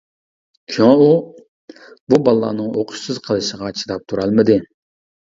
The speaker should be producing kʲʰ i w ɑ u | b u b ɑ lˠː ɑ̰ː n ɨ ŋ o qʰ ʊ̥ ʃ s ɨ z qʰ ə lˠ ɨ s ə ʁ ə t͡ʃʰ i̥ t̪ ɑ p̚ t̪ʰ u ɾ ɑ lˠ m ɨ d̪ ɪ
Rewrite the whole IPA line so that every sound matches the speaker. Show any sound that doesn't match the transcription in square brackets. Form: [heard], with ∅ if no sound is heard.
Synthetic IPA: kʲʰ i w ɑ u | b u b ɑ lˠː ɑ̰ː n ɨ ŋ o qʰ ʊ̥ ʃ s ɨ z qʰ ə lˠ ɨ [ʃ] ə ʁ [ɑ] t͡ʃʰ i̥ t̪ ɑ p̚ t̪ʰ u ɾ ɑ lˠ m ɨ d̪ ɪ